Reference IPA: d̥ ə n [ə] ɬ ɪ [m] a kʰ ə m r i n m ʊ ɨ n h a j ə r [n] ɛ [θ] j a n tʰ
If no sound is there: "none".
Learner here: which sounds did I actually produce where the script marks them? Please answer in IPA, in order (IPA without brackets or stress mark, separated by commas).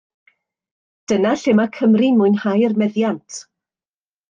a, m, m, ð